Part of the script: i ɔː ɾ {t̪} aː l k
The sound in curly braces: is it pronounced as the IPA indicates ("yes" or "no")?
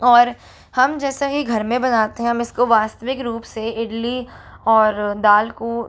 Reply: no